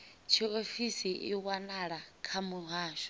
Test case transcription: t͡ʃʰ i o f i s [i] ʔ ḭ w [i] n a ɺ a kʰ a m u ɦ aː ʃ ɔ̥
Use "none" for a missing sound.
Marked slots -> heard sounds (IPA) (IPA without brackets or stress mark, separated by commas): i, a